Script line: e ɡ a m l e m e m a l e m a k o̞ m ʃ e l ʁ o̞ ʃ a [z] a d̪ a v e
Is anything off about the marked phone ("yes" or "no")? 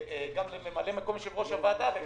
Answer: yes